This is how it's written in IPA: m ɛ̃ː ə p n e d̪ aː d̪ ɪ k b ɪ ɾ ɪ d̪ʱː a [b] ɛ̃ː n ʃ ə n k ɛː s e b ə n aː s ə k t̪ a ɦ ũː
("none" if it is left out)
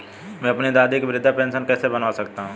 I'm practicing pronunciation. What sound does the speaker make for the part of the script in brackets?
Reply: p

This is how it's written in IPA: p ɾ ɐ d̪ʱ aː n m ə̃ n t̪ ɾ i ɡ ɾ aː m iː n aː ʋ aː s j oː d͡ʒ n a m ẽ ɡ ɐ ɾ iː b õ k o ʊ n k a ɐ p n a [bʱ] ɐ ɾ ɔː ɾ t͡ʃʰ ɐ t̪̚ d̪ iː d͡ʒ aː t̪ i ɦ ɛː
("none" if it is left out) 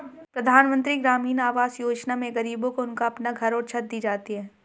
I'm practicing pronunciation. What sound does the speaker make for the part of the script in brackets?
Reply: ɡʱ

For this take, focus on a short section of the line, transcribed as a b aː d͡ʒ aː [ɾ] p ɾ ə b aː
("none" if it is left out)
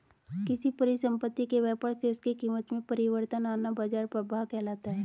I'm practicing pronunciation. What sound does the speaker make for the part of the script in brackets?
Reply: ɾ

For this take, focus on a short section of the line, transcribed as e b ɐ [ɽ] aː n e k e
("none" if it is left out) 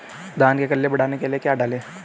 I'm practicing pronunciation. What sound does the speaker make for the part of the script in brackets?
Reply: ɽ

